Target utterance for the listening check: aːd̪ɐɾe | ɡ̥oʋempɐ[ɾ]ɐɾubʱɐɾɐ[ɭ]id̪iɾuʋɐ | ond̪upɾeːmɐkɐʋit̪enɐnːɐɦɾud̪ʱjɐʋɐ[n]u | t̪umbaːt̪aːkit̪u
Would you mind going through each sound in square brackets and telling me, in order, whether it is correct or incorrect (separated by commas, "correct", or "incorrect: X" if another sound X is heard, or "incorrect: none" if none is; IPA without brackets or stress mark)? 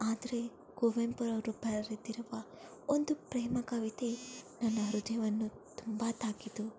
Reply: correct, incorrect: ɾ, incorrect: nː